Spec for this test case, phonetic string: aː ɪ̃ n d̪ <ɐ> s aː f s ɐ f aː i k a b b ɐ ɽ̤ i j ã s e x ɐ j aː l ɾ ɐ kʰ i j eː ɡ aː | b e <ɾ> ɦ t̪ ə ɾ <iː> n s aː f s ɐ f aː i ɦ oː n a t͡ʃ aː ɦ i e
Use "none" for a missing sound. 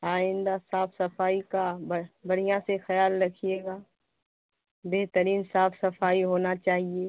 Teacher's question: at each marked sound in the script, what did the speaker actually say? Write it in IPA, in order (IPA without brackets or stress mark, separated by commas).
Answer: a, none, iː